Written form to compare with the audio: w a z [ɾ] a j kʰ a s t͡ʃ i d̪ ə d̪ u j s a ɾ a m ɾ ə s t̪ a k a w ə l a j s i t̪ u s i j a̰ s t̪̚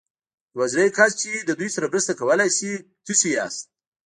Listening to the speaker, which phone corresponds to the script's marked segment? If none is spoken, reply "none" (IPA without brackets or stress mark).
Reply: ɾ